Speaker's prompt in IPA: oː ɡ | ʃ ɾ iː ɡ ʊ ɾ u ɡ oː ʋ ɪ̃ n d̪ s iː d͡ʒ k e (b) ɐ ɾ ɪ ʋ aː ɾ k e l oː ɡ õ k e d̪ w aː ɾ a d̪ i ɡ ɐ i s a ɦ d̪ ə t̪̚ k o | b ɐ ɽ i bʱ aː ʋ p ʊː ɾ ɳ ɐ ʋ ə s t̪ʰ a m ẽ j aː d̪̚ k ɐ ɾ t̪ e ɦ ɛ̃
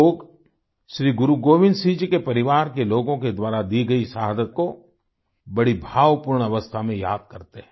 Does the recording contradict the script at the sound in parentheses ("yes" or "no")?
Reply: yes